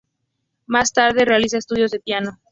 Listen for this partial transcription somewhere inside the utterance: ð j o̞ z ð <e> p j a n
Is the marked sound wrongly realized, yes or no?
no